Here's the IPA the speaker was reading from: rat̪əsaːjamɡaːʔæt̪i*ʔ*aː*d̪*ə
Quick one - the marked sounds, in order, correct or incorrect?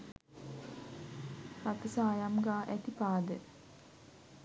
incorrect: p, correct

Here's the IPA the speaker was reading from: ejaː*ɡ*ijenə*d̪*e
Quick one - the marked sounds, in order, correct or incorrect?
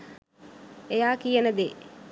incorrect: k, correct

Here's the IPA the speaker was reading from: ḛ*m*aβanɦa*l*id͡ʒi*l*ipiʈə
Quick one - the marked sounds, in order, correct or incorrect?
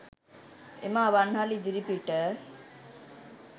correct, correct, incorrect: ɾ

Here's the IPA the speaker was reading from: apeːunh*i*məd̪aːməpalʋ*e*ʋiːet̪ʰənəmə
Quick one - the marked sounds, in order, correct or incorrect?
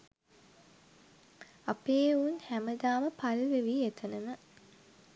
incorrect: æ, correct

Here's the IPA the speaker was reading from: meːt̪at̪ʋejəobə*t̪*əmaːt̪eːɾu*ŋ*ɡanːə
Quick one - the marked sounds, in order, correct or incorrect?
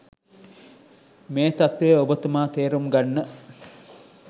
correct, incorrect: m

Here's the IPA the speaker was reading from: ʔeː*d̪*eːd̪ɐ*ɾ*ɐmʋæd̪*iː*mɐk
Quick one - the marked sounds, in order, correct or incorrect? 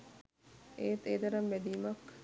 incorrect: t̪, correct, correct

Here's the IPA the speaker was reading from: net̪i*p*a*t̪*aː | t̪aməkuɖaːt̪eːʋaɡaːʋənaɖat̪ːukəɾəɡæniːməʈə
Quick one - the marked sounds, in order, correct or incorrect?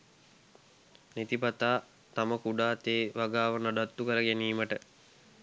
correct, correct

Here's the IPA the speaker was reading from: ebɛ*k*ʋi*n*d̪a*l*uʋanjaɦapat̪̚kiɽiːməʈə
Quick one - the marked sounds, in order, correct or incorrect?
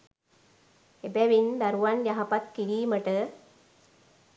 incorrect: none, correct, incorrect: ɾ

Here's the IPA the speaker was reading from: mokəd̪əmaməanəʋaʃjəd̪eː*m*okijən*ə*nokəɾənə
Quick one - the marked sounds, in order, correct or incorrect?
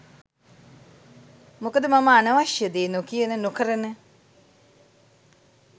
incorrect: n, correct

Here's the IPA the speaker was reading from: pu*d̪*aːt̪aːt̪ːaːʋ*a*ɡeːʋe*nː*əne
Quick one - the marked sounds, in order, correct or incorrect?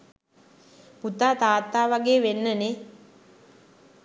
incorrect: t̪, correct, correct

